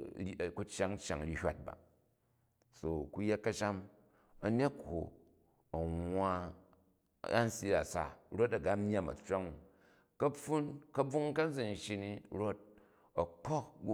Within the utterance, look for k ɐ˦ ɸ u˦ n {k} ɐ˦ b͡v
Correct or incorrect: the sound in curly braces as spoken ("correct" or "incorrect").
correct